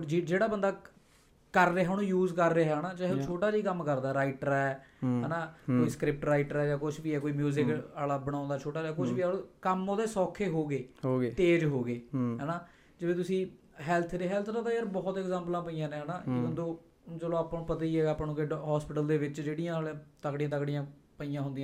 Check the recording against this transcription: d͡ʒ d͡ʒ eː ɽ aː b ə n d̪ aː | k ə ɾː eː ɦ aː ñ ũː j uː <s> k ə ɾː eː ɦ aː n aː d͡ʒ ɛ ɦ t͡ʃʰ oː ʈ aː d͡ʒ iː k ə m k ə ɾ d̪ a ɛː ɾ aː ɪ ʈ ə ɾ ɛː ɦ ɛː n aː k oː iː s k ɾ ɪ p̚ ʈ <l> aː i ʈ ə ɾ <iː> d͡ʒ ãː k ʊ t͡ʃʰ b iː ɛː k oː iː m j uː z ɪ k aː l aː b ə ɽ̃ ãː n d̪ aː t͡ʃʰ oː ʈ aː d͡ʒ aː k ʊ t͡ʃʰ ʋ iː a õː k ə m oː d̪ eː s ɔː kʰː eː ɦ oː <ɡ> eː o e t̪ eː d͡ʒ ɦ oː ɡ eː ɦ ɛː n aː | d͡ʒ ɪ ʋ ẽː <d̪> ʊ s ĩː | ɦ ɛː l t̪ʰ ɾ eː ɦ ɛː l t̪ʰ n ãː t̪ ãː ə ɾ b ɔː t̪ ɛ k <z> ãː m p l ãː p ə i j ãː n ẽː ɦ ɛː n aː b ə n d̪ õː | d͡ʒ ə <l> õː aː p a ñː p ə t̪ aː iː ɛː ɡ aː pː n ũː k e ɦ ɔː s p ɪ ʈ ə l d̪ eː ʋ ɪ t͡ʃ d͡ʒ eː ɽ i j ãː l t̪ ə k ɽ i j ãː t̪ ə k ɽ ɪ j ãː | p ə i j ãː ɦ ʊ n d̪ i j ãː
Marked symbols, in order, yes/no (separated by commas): no, no, no, yes, no, yes, yes